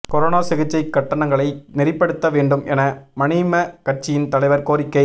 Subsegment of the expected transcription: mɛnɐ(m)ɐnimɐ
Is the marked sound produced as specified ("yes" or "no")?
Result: yes